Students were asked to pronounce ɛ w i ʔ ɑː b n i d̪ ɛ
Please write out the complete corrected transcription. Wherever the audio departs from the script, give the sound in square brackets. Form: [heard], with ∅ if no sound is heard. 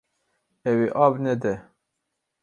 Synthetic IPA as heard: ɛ w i ʔ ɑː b n [ɛ] d̪ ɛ